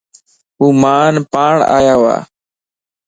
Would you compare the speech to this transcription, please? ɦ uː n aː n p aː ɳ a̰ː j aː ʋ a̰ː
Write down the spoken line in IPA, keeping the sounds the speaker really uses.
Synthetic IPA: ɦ uː m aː n p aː ɳ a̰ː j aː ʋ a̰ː